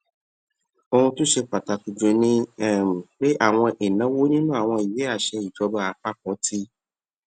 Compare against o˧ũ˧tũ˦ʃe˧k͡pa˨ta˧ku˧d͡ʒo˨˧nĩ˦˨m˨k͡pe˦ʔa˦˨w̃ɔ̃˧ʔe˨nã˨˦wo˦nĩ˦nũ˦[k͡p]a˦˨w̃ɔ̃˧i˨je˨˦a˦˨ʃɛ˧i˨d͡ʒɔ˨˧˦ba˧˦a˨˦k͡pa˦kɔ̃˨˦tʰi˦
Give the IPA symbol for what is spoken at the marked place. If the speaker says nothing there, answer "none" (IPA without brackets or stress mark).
none